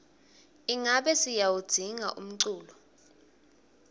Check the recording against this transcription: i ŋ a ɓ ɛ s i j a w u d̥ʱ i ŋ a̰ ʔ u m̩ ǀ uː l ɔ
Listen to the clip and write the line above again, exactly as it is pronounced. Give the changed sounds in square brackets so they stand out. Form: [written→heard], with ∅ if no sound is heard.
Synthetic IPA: i ŋ a ɓ ɛ s i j a w u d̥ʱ i ŋ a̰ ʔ u m̩ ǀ uː l ɔ